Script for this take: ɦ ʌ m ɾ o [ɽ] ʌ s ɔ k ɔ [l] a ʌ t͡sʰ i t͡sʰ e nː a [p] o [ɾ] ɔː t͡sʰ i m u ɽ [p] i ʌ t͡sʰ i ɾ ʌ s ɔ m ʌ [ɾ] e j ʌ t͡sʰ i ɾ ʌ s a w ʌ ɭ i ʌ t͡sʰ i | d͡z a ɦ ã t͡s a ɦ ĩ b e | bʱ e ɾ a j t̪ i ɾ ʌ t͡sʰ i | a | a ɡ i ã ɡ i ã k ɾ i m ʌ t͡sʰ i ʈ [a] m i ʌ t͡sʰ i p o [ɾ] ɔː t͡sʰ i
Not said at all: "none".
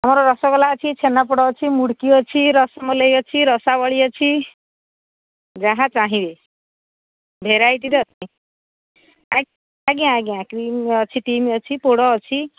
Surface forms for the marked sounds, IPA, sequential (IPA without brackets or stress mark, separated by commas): ɾ, l, p, ɽ, k, l, i, ɽ